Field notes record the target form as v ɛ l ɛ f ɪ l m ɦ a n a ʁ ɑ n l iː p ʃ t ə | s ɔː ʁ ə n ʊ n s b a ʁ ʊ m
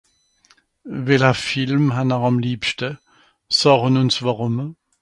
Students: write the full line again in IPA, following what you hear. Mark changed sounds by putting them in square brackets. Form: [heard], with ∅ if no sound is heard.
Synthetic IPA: v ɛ l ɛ f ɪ l m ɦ a n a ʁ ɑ [m] l iː p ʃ t ə | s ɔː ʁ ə n ʊ n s [v] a ʁ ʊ m